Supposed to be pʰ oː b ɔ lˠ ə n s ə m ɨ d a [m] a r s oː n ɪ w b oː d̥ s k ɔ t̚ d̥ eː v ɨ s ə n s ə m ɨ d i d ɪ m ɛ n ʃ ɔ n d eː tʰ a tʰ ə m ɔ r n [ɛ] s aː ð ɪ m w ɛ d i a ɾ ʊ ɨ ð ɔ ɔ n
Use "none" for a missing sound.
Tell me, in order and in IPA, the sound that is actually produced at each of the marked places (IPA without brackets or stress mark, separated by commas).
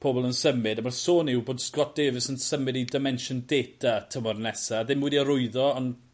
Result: m, ɛ